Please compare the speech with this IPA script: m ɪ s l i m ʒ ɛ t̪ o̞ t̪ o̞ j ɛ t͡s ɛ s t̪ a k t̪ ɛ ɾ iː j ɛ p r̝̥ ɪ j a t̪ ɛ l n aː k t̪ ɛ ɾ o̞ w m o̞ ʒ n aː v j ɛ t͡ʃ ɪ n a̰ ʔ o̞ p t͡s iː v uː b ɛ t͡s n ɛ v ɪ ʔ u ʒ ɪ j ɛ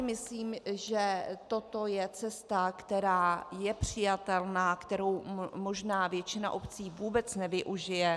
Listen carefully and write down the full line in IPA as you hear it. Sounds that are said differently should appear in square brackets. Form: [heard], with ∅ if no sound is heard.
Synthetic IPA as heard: m ɪ s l [iː] m ʒ ɛ t̪ o̞ t̪ o̞ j ɛ t͡s ɛ s t̪ a k t̪ ɛ ɾ [aː] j ɛ p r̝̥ ɪ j a t̪ ɛ l n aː k t̪ ɛ ɾ o̞ w m o̞ ʒ n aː v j ɛ t͡ʃ ɪ n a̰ ʔ o̞ p t͡s iː v uː b ɛ t͡s n ɛ v ɪ ʔ u ʒ ɪ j ɛ